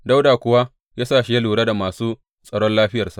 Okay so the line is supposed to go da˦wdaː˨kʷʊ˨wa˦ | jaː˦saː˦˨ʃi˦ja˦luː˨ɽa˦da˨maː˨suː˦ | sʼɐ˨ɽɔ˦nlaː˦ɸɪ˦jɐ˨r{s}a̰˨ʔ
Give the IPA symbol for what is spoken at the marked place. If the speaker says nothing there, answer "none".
s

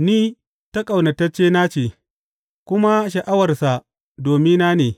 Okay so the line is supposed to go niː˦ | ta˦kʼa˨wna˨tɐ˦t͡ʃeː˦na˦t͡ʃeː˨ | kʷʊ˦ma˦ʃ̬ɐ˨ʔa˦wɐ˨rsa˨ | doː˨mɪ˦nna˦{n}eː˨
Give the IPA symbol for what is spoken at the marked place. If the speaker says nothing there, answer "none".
n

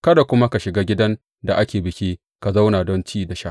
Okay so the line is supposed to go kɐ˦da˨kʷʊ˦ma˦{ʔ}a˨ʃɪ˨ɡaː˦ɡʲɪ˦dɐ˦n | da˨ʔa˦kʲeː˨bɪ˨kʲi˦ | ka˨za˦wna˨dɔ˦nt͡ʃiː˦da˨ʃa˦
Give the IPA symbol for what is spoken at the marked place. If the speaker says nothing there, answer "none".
k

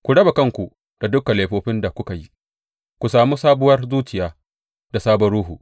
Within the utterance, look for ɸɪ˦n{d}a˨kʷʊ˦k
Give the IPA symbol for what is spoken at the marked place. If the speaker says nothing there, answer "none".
d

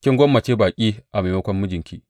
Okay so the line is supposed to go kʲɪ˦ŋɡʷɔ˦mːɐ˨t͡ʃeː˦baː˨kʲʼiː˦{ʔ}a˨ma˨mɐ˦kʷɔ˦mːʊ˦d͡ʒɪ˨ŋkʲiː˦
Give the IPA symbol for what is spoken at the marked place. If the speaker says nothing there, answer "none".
ʔ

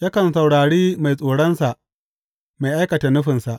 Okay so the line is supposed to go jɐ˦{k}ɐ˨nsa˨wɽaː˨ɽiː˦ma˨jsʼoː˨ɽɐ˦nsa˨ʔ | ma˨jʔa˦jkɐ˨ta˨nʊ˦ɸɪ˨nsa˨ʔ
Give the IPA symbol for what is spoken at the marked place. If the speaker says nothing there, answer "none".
k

